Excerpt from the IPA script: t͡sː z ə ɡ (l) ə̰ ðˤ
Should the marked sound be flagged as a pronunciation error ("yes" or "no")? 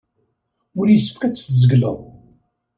no